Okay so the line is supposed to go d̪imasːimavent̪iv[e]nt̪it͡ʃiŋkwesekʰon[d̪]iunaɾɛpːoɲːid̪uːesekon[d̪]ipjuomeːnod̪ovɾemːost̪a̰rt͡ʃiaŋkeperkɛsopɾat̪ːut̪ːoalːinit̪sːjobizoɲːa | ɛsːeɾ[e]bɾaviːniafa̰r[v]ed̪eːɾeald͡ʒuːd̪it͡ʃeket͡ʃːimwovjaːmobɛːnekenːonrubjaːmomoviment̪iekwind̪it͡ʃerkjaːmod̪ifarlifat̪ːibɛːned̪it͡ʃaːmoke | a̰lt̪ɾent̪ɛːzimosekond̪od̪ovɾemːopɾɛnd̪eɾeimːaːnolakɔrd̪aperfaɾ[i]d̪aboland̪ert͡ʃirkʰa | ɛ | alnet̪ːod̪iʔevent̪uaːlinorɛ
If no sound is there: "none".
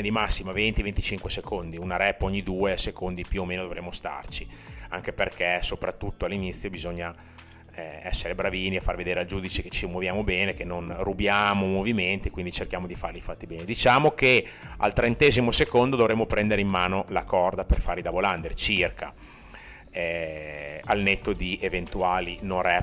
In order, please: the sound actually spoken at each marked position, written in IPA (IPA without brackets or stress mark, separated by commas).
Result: e, d̪, d̪, e, v, i